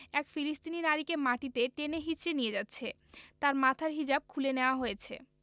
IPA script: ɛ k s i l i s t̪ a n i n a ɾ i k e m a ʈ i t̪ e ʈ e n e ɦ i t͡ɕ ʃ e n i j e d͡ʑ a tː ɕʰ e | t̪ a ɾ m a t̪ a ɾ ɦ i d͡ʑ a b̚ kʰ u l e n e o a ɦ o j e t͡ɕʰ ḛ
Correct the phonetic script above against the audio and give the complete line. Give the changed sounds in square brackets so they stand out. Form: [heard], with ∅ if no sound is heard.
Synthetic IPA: ɛ k [f] i l i s t̪ [i] n i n a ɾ i k e m a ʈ i t̪ e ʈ e n e ɦ i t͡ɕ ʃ e n i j e d͡ʑ a tː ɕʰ e | t̪ a ɾ m a [t̪ʰ] a ɾ ɦ i d͡ʑ a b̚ kʰ u l e n e o a ɦ o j e t͡ɕʰ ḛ